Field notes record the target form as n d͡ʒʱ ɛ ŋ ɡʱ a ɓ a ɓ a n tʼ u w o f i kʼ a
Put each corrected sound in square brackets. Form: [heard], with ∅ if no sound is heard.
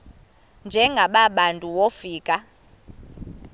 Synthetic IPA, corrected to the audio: n d͡ʒʱ ɛ ŋ ɡʱ a ɓ a ɓ a n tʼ u w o f [iː] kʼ a